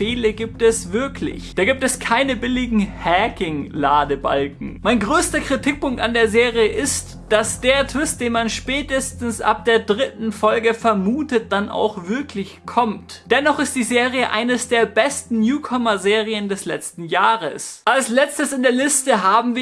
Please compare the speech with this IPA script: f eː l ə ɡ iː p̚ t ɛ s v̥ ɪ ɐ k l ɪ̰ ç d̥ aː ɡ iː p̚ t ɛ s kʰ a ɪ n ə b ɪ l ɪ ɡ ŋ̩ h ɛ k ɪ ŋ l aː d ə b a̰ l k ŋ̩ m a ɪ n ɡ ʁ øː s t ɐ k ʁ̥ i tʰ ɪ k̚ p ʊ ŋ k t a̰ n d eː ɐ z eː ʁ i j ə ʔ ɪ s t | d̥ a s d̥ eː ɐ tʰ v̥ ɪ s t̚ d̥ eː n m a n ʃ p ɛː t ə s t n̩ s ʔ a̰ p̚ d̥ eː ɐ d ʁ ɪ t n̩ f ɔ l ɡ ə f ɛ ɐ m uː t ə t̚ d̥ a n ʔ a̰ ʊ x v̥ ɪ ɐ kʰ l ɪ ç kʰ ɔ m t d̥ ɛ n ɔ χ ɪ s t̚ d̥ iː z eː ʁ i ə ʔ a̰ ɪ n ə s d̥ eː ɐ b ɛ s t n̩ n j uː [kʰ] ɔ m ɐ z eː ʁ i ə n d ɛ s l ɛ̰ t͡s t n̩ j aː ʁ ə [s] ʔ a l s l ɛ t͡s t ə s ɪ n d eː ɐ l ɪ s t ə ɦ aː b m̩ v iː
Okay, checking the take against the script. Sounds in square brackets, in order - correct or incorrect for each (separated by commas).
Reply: correct, correct